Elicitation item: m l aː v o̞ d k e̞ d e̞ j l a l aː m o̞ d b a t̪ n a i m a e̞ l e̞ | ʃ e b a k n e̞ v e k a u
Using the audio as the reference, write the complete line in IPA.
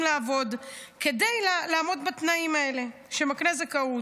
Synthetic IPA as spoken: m l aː v o̞ d k e̞ d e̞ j l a l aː m o̞ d b a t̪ n a i m a e̞ l e̞ | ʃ e m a k n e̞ z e k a u